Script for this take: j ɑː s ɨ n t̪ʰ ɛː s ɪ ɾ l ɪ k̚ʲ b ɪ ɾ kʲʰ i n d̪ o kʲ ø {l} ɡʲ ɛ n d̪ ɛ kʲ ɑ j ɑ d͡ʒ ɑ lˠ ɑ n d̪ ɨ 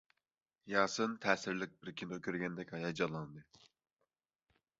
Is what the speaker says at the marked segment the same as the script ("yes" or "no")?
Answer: no